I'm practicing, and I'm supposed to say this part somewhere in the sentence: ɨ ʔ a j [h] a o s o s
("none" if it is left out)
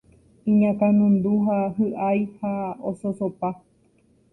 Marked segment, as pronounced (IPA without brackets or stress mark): h